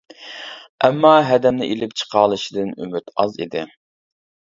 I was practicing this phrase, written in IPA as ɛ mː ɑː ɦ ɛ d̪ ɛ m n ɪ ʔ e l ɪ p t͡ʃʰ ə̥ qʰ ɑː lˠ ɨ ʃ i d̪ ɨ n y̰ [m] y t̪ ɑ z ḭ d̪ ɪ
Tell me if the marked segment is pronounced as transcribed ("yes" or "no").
yes